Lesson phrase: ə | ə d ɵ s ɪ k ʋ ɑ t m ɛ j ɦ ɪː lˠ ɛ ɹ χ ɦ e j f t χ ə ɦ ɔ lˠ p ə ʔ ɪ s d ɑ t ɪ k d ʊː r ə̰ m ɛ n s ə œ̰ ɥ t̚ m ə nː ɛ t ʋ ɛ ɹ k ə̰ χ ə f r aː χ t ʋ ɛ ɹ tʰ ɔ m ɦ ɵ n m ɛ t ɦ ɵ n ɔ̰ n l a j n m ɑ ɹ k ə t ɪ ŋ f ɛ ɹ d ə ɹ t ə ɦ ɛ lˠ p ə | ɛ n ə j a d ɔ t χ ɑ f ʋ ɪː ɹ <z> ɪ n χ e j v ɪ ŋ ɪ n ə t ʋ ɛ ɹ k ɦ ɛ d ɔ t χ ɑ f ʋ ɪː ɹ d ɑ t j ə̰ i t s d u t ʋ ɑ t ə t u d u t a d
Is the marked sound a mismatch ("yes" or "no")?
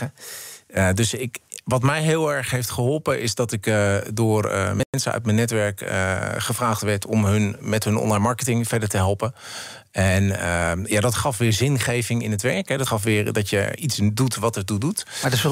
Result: no